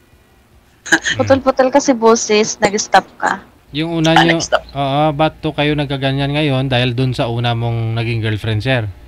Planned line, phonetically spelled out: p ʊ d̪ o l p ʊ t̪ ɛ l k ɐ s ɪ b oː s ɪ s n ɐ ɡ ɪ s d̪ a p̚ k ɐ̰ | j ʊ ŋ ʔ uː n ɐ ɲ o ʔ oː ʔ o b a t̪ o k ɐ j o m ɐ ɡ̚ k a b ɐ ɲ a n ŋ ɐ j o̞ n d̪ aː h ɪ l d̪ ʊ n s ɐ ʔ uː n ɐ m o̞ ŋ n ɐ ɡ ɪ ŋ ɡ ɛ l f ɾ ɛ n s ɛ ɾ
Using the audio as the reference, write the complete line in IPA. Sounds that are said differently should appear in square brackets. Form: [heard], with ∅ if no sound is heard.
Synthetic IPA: p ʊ [t̪] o l p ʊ t̪ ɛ l k ɐ s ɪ b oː s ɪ s n ɐ ɡ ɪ s [t̪] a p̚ k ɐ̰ | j ʊ ŋ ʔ uː n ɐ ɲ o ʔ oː ʔ o b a t̪ o k ɐ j o [n] ɐ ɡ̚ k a [ɡ] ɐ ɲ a n ŋ ɐ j o̞ n d̪ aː h ɪ l d̪ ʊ n s ɐ ʔ uː n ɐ m o̞ ŋ n ɐ ɡ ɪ ŋ ɡ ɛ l f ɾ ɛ n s ɛ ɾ